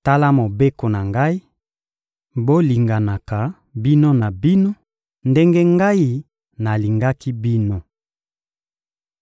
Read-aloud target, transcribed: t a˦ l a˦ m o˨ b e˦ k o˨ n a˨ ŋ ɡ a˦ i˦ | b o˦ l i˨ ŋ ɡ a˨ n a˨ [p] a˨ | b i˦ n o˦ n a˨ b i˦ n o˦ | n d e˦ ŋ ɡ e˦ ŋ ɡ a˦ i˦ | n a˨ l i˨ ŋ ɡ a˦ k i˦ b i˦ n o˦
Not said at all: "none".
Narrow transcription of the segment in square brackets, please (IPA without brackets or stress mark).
k